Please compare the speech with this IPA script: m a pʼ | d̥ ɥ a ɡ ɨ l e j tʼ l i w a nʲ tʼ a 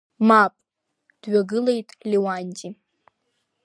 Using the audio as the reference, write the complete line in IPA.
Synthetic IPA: m a pʼ | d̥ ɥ a ɡ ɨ l e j tʼ l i w a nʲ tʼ i

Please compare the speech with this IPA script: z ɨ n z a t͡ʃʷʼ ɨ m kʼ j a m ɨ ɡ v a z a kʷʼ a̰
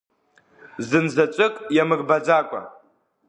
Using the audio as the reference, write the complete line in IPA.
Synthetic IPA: z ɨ n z a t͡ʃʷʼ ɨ kʼ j a m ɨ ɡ b a d͡z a kʷʼ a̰

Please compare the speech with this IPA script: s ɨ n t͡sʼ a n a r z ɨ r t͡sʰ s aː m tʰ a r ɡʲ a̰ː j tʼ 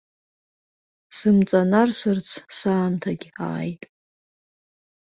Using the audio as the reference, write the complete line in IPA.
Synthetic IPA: s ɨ m t͡sʼ a n a r s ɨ r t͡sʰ s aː m tʰ a ɡʲ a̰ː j tʼ

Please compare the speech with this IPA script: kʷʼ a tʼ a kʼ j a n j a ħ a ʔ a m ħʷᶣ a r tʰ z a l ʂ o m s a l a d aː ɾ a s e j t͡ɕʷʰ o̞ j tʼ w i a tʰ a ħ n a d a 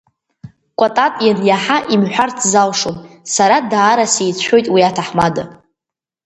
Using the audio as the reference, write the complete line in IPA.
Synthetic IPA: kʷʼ a tʼ a tʼ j a n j a ħ a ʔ i m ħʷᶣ a r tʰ z a l ʂ o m s a ɾ a d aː ɾ a s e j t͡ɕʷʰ o̞ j tʼ w i a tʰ a ħ m a d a

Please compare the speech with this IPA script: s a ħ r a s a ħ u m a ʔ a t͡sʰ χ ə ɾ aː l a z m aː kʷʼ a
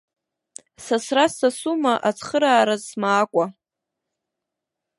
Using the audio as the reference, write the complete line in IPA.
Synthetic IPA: s a s r a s a s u m a ʔ a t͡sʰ χ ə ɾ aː ɾ a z m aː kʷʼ a

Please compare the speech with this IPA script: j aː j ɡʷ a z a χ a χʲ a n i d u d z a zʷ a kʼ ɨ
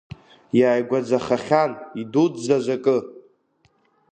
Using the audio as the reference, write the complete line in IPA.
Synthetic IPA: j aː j ɡʷ a d͡z a χ a χʲ a n i d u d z a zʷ a kʼ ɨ

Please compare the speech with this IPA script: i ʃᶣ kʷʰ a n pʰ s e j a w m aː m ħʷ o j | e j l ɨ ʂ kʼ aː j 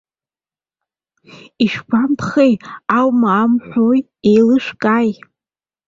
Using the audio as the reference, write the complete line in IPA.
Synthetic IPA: i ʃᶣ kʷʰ a m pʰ χ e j a w m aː m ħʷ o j | e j l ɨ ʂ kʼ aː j

